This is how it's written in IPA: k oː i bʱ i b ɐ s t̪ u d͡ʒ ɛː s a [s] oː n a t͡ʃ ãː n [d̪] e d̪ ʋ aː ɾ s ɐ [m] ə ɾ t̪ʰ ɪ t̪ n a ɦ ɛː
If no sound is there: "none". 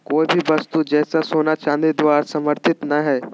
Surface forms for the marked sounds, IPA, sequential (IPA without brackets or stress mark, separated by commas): s, d̪, m